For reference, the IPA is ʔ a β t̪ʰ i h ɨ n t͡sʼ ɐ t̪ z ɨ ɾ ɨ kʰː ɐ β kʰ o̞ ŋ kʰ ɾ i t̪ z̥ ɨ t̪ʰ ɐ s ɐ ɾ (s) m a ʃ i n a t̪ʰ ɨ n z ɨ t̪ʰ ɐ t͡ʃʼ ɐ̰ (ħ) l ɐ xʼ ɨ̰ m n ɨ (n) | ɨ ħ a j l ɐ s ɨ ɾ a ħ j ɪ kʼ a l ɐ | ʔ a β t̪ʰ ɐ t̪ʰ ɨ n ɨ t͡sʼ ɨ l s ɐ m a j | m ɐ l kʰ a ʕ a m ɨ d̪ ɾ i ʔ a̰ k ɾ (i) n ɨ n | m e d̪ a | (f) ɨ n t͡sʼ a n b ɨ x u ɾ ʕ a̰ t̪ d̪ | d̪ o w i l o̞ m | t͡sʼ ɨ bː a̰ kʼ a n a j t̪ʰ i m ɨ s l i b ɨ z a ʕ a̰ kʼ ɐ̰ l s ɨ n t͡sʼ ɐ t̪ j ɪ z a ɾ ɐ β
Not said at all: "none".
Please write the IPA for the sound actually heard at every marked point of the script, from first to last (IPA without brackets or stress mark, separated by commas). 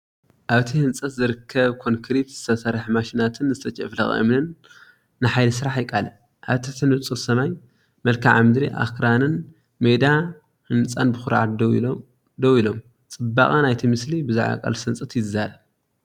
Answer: ħ, f, nː, a, h